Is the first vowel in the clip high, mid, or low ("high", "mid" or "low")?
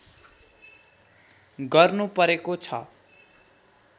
mid